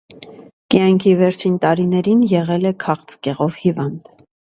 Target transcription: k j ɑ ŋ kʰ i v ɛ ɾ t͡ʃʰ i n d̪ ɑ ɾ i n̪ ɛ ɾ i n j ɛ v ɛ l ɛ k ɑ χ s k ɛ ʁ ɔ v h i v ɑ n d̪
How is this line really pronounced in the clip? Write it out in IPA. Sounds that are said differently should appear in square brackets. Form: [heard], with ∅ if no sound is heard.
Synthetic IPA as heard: k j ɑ ŋ kʰ i v ɛ ɾ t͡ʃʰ i n [t̪] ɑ ɾ i n̪ ɛ ɾ i n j ɛ [ʁ] ɛ l ɛ [kʰ] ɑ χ [t͡s] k ɛ ʁ ɔ v h i v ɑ n d̪